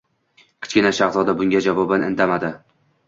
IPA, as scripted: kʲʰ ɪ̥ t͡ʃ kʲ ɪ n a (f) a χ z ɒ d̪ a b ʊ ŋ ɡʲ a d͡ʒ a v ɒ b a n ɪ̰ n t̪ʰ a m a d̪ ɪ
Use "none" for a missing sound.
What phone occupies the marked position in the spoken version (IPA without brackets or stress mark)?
ʃ